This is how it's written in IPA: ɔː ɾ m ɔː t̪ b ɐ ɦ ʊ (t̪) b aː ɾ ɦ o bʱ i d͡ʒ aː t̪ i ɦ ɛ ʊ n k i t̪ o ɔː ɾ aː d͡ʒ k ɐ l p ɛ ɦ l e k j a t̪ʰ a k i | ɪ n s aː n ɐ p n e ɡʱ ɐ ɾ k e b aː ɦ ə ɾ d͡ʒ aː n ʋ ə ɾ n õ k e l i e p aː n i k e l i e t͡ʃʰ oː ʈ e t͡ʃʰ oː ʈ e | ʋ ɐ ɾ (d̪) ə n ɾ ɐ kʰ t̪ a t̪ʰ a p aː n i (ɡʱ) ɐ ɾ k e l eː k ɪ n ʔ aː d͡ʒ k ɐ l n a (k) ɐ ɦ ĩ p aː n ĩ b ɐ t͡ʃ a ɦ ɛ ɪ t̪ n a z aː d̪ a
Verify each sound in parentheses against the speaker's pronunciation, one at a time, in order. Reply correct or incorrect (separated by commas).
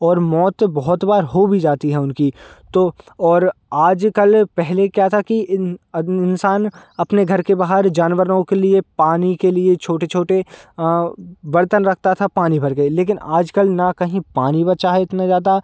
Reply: correct, incorrect, incorrect, correct